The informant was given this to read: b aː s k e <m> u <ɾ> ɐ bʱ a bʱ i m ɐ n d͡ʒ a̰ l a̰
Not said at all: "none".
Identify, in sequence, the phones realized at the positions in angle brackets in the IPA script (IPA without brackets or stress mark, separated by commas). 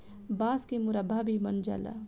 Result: m, ɾ